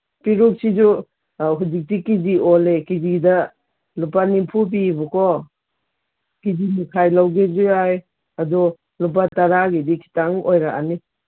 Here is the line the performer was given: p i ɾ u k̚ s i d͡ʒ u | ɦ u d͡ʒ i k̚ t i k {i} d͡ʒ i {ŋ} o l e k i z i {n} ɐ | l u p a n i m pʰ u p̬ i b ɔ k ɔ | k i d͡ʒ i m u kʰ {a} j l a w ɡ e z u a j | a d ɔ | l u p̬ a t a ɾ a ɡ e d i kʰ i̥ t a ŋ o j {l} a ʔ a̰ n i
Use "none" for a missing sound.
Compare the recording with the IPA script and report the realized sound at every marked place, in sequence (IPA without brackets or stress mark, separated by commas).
i, none, d, a, ɾ